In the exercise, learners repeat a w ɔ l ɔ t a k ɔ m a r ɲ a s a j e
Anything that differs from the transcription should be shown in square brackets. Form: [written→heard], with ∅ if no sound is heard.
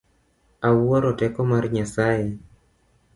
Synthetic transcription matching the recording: a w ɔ [l→ɾ] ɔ t [a→ɛ] k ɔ m a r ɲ a s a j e

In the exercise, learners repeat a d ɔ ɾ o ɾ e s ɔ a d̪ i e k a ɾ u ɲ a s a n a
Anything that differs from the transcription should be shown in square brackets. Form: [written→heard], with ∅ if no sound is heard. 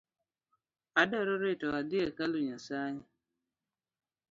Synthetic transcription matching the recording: a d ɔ ɾ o ɾ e [s→t] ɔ a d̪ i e k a [ɾ→l] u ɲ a s a [n→ɲ] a

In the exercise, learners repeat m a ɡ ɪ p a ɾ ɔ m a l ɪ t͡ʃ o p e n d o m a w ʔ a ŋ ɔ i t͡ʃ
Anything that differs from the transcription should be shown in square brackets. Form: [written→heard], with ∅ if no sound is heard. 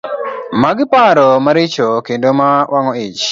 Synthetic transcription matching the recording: m a ɡ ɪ p a ɾ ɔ m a [l→ɾ] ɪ t͡ʃ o [p→k] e n d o m a w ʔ a ŋ ɔ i t͡ʃ

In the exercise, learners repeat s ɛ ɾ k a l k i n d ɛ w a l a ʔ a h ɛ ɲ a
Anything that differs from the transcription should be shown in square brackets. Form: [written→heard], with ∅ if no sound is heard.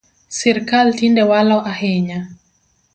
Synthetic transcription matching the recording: s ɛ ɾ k a l [k→t] i n d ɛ w a l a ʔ a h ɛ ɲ a

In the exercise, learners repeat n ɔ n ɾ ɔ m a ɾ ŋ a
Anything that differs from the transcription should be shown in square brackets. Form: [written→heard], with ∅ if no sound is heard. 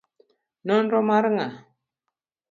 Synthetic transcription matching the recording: n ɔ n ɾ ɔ m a ɾ ŋ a

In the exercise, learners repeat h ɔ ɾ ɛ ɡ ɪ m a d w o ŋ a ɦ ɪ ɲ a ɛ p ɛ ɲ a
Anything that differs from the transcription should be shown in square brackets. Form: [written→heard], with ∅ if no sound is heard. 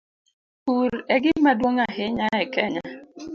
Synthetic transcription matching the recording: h [ɔ→u] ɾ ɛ ɡ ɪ m a d w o ŋ a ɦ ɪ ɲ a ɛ [p→k] ɛ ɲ a

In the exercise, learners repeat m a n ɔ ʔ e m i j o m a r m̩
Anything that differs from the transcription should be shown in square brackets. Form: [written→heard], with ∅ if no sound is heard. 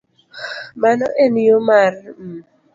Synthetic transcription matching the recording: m a n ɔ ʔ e [m→n] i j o m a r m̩

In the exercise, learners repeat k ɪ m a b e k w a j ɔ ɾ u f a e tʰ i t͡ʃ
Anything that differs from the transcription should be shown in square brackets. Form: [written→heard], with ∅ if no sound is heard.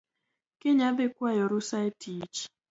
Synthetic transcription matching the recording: k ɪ [m→ɲ] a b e k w a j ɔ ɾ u [f→s] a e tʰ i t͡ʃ

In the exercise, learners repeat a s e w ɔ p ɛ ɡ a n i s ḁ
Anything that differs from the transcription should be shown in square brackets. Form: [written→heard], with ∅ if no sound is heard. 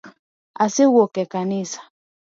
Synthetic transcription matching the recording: a s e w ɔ [p→k] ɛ [ɡ→k] a n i s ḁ

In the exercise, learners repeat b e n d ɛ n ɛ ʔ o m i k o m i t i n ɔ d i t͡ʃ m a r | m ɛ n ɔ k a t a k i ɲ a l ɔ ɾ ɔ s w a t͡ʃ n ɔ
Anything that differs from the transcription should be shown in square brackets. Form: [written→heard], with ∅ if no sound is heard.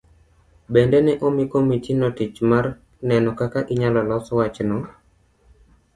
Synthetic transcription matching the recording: b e n d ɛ n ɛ ʔ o m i k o m i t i n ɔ [d→t] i t͡ʃ m a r | [m→n] ɛ n ɔ k a [t→k] a [k→ʔ] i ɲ a l ɔ [ɾ→l] ɔ s w a t͡ʃ n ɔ

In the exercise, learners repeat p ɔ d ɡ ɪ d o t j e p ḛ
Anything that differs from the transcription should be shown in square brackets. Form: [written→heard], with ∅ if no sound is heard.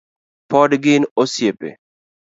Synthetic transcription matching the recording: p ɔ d ɡ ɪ [d→n] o [t→s] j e p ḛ

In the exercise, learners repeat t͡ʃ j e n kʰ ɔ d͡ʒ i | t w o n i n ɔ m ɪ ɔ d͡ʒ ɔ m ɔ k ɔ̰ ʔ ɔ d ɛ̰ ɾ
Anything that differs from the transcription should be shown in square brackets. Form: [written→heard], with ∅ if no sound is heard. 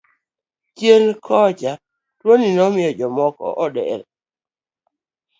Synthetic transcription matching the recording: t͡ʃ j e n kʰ ɔ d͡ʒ [i→a] | t w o n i n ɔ m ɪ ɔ d͡ʒ ɔ m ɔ k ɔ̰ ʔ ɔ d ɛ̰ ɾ

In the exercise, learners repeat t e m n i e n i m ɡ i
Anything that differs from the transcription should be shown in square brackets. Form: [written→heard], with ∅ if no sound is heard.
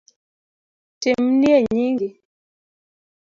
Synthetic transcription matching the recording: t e m n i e [n→ɲ] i [m→ŋ] ɡ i

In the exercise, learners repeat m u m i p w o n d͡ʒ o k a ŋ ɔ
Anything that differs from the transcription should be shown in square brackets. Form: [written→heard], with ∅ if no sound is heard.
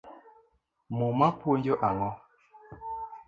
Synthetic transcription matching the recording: m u m [i→a] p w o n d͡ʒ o [k→ʔ] a ŋ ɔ

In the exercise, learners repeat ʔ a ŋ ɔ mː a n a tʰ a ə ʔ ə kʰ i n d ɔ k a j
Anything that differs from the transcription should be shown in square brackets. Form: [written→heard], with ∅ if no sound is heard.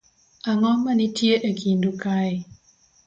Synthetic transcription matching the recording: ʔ a ŋ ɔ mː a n [a→i] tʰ [a→i] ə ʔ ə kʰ i n d [ɔ→u] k a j

